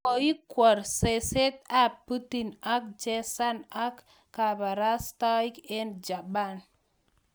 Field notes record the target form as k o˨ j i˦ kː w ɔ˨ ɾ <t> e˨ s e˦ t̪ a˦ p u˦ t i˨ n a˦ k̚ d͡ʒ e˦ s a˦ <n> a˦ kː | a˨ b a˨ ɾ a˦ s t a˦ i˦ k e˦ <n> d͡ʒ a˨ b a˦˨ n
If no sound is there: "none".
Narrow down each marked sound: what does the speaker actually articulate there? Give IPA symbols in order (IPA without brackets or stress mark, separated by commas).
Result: s, n, n